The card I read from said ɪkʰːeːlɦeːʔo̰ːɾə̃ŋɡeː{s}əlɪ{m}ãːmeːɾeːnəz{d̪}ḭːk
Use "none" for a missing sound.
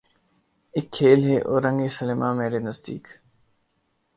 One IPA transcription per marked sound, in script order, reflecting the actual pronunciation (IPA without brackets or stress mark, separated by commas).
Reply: s, m, d̪